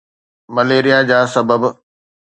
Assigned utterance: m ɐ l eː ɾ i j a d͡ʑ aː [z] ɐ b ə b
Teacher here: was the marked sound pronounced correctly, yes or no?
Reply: no